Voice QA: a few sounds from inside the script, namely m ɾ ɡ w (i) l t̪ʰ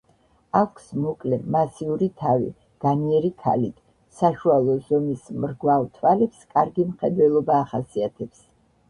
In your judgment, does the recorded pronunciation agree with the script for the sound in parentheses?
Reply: no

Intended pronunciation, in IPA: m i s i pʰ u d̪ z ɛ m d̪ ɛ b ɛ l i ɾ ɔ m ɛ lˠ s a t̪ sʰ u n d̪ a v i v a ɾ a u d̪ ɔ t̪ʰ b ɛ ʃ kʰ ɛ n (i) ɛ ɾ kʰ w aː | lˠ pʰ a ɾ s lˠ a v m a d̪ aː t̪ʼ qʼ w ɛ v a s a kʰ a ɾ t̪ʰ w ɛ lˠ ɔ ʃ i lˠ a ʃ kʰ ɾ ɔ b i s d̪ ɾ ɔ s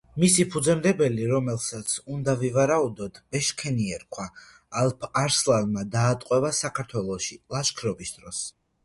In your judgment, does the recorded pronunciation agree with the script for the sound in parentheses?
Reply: yes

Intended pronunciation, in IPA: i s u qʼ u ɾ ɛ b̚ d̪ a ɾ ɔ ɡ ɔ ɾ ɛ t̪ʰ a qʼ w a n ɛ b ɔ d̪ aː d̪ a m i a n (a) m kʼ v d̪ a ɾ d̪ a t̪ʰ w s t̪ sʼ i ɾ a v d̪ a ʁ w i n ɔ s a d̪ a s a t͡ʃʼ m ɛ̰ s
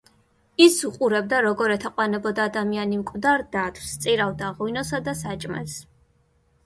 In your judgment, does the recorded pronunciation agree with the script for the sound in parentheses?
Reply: no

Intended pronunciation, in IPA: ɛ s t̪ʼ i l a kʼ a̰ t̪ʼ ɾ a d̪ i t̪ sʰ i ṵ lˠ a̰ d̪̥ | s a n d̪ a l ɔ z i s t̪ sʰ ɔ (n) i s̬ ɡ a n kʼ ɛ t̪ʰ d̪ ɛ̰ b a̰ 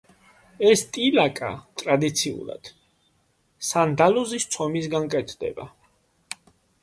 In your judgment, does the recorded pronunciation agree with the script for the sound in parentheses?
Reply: no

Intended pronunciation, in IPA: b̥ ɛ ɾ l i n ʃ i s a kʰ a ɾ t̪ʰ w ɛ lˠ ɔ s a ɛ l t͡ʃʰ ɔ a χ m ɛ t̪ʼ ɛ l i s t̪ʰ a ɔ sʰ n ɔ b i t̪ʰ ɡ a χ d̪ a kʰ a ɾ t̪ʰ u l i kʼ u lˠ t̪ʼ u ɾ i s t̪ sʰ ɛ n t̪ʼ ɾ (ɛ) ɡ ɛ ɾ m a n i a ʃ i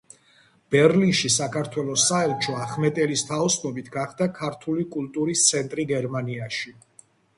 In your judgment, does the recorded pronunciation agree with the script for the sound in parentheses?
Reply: no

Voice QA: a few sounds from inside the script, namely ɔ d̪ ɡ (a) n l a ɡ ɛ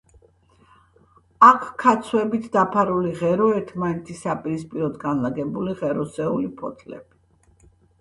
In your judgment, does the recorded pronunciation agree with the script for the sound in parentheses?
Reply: yes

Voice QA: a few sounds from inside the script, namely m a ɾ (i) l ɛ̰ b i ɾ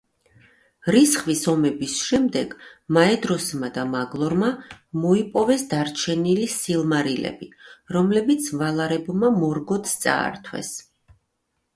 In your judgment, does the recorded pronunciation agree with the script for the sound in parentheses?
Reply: yes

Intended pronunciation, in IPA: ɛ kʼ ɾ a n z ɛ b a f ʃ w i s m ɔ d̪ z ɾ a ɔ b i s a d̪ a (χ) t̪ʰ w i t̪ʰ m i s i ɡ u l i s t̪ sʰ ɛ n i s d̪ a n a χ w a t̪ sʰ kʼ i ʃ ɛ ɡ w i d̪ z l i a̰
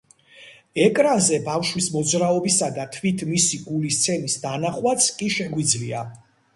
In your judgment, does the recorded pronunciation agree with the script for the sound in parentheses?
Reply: no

